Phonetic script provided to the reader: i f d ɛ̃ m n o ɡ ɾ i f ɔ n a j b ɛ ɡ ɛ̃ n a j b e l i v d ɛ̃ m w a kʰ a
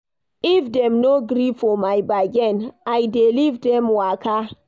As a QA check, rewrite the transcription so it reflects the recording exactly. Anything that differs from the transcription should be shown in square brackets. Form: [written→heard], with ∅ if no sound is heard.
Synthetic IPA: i f d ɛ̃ m n o ɡ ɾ i f ɔ [n→m] a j b [ɛ→a] ɡ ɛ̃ n a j [b→d] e l i v d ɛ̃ m w a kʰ a

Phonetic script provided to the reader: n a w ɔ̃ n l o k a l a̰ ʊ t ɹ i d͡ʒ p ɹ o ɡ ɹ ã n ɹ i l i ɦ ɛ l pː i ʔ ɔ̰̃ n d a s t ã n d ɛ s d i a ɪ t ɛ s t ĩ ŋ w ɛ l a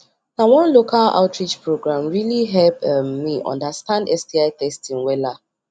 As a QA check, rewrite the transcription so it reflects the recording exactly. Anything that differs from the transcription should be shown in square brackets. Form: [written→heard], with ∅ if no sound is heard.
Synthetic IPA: n a w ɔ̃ n l o k a l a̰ ʊ t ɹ i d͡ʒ p ɹ o ɡ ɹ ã [n→m] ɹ i l i ɦ ɛ l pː i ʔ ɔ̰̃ n d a s t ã n d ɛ s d i a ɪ t ɛ s t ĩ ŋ w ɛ l a

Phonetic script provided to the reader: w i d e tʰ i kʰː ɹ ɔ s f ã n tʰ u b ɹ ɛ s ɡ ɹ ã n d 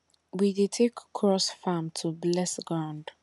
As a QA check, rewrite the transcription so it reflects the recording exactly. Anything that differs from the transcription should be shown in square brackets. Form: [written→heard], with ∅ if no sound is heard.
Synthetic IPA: w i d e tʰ [i→e] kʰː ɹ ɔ s f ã [n→m] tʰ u b [ɹ→l] ɛ s ɡ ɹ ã n d

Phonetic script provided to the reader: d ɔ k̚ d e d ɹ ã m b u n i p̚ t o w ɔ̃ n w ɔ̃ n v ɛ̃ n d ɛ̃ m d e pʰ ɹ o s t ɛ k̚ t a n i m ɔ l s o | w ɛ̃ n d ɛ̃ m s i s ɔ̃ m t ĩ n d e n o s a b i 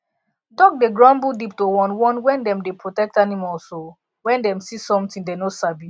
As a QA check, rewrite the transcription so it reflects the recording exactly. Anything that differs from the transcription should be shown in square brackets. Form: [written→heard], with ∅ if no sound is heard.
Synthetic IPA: d ɔ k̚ d e [d→ɡ] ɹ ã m b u [n→d] i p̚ t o w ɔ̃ n w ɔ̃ n [v→w] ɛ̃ n d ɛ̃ m d e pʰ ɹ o [s→∅] t ɛ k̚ t a n i m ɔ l s o | w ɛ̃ n d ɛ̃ m s i s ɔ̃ m t ĩ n d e n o s a b i

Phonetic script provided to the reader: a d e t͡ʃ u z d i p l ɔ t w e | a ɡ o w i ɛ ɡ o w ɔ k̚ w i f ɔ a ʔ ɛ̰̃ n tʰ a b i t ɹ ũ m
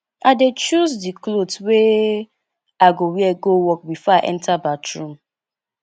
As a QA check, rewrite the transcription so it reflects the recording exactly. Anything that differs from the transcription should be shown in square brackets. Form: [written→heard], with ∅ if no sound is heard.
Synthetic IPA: a d e t͡ʃ u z d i [p→k] l [ɔ→o] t w e | a ɡ o w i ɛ ɡ o w ɔ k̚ [w→b] i f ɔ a ʔ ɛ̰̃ n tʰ a b [i→a] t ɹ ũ m

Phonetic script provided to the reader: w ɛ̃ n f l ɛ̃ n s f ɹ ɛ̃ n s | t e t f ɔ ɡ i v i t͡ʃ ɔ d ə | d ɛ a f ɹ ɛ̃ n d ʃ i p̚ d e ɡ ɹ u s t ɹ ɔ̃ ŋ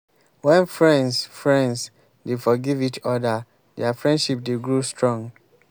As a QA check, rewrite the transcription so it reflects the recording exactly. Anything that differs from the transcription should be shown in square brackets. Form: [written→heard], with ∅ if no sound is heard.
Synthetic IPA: w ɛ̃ n f [l→ɹ] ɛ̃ n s f ɹ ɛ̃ n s | [t→d] e [t→∅] f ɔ ɡ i v i t͡ʃ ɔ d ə | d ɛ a f ɹ ɛ̃ n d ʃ i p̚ d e ɡ ɹ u s t ɹ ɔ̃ ŋ

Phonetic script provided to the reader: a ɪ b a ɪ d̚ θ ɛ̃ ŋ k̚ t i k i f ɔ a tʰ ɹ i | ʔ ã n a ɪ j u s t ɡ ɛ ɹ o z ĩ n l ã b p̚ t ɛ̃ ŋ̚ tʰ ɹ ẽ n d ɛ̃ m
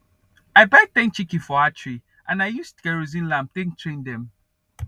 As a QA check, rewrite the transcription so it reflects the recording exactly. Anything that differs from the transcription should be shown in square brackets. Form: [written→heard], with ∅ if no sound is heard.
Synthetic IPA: a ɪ b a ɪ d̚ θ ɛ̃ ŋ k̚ [t→t͡ʃ] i k i f ɔ a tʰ ɹ i | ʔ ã n a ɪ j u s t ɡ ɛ ɹ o z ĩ n l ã [b→m] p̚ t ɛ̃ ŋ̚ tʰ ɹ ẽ n d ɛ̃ m

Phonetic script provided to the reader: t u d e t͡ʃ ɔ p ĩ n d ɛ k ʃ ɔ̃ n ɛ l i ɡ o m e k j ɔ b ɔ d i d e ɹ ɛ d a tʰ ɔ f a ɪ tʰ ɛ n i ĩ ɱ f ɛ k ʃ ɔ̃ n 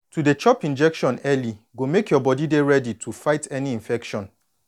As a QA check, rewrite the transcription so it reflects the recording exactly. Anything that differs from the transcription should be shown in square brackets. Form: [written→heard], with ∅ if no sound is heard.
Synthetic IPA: t u d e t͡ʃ ɔ p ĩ n [d→d͡ʒ] ɛ k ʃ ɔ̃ n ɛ l i ɡ o m e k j ɔ b ɔ d i d e ɹ ɛ d [a→i] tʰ [ɔ→u] f a ɪ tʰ ɛ n i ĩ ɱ f ɛ k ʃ ɔ̃ n

